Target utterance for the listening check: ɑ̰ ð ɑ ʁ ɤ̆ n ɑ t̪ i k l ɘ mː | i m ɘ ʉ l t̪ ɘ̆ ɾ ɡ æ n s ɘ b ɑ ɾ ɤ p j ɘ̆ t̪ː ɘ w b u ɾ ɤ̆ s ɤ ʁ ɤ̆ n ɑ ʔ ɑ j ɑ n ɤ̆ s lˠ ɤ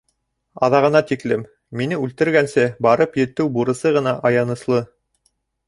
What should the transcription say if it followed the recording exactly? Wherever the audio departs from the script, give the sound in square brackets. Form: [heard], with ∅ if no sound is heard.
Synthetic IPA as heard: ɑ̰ ð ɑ ʁ ɤ̆ n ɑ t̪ i k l ɘ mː | i [n] ɘ ʉ l t̪ ɘ̆ ɾ ɡ æ n s ɘ b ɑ ɾ ɤ p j ɘ̆ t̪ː ɘ w b u ɾ ɤ̆ s ɤ ʁ ɤ̆ n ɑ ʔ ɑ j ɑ n ɤ̆ s lˠ ɤ